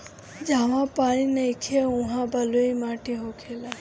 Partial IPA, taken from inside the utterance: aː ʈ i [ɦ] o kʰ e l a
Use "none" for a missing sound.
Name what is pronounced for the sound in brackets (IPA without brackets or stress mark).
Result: ɦ